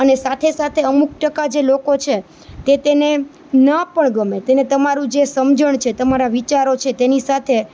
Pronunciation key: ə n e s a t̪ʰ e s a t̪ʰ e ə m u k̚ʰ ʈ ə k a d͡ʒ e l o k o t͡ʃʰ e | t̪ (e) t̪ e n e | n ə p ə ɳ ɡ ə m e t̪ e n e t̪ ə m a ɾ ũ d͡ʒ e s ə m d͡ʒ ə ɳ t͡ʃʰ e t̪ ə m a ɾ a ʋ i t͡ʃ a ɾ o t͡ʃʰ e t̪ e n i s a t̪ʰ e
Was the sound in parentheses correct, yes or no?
yes